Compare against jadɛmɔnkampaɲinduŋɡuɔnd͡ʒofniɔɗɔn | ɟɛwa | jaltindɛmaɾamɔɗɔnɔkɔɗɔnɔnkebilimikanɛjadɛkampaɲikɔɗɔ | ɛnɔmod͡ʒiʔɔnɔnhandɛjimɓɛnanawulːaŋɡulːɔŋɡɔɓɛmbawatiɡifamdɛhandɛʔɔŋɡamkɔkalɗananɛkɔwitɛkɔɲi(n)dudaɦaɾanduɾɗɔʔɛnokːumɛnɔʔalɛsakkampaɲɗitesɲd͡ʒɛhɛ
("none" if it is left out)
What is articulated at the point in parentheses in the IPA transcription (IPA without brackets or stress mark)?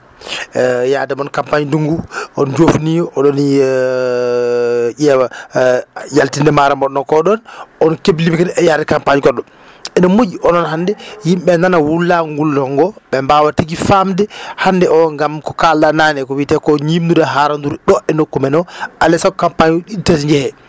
m